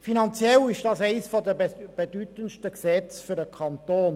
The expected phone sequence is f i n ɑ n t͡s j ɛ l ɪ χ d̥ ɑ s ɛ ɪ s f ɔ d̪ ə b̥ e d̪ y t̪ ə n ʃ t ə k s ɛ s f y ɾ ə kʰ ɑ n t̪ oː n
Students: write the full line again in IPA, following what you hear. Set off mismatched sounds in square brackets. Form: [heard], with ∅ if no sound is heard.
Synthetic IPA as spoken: f i n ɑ n t͡s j ɛ l ɪ [ʃ] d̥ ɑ s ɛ ɪ s f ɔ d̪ ə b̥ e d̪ y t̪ ə n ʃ t ə k s ɛ [t͡s] f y ɾ ə kʰ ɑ n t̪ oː n